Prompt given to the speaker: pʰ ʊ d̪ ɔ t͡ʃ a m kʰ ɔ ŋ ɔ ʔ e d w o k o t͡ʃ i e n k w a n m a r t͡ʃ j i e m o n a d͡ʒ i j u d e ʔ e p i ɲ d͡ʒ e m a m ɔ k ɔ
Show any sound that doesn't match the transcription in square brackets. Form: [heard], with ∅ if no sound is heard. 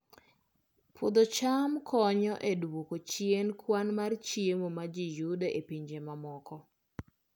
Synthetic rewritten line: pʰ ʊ d̪ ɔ t͡ʃ a m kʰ ɔ [ɲ] ɔ ʔ e d w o k o t͡ʃ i e n k w a n m a r t͡ʃ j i e m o [m] a d͡ʒ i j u d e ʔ e p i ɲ d͡ʒ e m a m ɔ k ɔ